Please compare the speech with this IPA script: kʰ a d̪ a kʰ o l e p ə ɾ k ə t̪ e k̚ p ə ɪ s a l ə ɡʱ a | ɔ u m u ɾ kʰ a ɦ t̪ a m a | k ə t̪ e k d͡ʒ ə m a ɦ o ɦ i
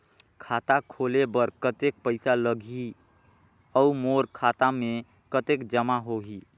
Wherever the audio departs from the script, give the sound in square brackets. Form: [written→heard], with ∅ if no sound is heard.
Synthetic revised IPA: kʰ a [d̪→t̪] a kʰ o l e [p→b] ə ɾ k ə t̪ e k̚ p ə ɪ s a l ə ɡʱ [a→i] | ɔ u m [u→o] ɾ kʰ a [ɦ→∅] t̪ a m [a→e] | k ə t̪ e k d͡ʒ ə m a ɦ o ɦ i